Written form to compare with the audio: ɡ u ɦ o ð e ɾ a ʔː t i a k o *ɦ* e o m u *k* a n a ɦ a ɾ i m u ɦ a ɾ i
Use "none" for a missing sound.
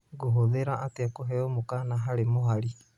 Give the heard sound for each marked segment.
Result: ɦ, k

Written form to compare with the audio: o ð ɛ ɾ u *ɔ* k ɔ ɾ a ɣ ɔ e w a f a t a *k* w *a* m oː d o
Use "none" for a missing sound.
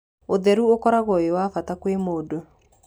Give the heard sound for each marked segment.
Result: o, k, e

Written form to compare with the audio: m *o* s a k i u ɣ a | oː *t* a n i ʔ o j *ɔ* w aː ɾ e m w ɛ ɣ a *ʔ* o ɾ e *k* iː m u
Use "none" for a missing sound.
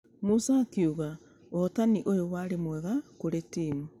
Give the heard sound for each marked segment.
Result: u, t, o, k, t

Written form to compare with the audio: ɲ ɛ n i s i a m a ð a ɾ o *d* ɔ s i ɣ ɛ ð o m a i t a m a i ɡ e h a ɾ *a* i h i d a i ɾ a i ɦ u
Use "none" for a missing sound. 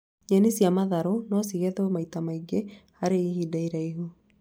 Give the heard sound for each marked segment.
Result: n, e

